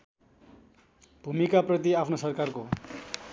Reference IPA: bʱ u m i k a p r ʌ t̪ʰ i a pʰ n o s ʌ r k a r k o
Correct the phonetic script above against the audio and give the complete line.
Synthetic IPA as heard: bʱ u m i k a p r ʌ t̪ i a pʰ n o s ʌ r k a r k o